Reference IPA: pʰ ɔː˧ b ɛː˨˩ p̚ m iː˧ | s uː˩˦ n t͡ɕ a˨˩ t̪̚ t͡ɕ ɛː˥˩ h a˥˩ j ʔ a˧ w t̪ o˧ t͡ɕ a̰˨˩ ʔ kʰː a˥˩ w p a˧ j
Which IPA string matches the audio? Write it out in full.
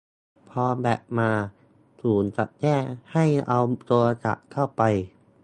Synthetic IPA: pʰ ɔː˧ b ɛː˨˩ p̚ m aː˧ | s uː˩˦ n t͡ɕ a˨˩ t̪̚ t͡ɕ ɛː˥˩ h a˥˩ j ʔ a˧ w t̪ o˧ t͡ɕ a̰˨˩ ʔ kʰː a˥˩ w p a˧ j